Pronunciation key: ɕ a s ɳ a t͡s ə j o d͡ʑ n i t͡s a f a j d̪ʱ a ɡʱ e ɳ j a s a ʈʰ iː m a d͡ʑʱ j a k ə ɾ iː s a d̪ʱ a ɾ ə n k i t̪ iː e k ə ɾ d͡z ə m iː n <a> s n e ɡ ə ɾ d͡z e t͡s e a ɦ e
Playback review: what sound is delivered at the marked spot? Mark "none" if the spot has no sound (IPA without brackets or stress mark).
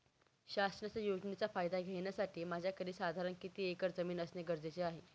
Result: ə